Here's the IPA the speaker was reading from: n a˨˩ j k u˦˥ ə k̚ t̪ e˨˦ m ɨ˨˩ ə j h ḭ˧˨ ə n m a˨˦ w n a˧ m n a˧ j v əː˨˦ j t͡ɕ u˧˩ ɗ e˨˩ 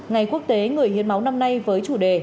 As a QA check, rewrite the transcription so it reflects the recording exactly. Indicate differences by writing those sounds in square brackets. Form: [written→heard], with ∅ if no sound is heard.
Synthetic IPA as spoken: [n→ŋ] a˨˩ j k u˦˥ ə k̚ t̪ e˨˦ [m→ŋ] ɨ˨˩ ə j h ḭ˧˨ ə n m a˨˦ w n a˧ m n a˧ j v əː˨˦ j t͡ɕ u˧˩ ɗ e˨˩

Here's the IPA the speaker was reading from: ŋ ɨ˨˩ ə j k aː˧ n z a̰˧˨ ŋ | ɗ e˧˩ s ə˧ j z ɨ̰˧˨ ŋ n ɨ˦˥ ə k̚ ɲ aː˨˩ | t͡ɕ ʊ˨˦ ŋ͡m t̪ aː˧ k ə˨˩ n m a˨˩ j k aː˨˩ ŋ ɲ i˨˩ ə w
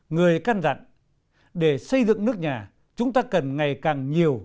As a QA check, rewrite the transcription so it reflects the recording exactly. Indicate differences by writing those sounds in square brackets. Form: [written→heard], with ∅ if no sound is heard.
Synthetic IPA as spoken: ŋ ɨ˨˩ ə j k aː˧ n z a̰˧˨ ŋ | ɗ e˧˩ s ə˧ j z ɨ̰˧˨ ŋ n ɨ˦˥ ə k̚ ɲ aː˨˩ | t͡ɕ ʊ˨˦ ŋ͡m t̪ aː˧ k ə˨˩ n [m→ŋ] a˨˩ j k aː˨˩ ŋ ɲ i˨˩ ə w

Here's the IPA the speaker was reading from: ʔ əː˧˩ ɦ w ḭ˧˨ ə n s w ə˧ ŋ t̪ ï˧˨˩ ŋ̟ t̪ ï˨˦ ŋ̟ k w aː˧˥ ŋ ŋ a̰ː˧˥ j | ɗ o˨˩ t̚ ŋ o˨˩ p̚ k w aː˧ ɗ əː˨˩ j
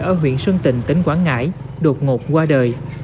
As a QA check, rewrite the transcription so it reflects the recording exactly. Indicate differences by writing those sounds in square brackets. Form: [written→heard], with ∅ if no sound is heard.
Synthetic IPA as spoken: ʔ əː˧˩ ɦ w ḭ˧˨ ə n s w ə˧ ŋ t̪ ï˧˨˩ ŋ̟ t̪ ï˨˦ ŋ̟ k w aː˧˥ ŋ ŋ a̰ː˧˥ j | ɗ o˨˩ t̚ ŋ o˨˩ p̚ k w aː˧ ɗ əː˨˩ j

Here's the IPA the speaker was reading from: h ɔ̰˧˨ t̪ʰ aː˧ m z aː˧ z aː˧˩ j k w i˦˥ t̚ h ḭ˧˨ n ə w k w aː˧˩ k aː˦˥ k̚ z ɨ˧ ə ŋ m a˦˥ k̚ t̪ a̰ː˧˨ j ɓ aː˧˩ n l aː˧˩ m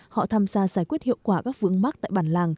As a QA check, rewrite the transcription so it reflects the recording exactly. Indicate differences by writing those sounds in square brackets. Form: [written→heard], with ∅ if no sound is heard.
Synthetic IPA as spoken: h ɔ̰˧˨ t̪ʰ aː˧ m z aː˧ z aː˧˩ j k w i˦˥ t̚ h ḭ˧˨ [n→∅] ə w k w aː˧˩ k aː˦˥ k̚ [z→v] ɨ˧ ə ŋ m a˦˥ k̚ t̪ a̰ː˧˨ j ɓ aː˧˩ n l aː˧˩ [m→ŋ]

